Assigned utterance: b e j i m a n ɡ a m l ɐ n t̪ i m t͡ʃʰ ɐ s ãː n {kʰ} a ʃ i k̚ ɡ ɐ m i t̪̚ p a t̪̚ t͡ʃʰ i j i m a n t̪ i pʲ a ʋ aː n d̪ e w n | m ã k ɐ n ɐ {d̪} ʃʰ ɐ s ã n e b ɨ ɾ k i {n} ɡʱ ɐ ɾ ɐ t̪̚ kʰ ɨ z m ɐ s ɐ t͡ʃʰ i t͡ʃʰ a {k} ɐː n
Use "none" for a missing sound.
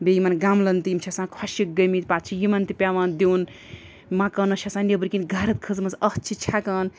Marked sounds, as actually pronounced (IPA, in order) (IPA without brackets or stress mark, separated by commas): kʰ, none, n, k